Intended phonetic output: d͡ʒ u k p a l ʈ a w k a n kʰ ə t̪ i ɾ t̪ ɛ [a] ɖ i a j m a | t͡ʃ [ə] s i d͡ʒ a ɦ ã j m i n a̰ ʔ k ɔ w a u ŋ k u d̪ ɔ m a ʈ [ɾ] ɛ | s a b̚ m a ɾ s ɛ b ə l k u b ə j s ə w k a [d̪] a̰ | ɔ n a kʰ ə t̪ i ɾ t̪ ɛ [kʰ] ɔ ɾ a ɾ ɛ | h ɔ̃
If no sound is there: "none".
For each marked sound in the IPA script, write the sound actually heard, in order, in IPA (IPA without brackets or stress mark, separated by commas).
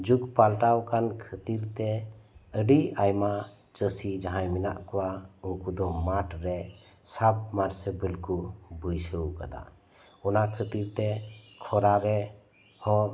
ə, ə, ɾ, d̪, kʰ